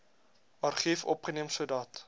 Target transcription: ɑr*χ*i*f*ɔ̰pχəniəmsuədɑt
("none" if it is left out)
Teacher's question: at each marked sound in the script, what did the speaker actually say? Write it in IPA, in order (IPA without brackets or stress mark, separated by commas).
χ, f